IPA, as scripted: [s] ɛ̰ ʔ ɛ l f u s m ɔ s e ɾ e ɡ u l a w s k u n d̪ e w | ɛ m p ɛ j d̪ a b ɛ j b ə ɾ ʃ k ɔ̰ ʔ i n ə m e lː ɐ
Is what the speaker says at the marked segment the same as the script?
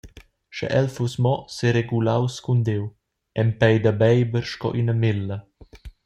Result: no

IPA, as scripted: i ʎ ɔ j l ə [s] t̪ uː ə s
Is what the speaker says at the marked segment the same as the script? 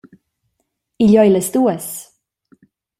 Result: yes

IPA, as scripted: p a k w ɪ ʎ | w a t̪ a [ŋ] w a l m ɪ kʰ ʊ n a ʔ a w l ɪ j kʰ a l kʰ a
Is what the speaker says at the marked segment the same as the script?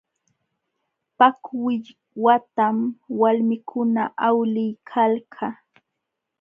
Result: no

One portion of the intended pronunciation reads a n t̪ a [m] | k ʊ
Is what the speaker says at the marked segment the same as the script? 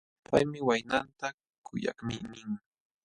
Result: no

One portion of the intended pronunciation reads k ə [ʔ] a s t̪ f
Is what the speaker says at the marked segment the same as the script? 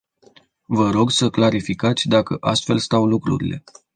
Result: yes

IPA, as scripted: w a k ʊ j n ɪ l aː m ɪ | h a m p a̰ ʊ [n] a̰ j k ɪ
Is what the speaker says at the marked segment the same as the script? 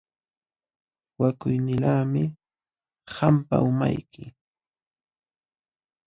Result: no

